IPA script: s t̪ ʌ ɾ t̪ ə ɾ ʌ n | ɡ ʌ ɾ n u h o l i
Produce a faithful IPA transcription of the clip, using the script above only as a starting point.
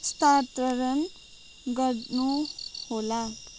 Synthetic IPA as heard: s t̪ a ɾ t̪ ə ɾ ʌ n | ɡ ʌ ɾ n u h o l a